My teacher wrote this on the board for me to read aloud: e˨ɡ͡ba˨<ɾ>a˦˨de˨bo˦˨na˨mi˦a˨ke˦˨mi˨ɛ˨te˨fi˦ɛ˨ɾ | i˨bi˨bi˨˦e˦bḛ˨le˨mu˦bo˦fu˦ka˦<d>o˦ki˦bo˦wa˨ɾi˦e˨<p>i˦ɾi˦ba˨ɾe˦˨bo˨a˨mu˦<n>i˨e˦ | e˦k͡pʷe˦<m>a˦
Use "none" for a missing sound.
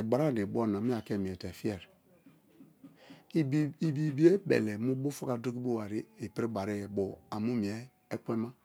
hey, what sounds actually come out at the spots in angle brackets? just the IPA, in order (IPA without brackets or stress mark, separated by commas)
ɾ, d, p, m, m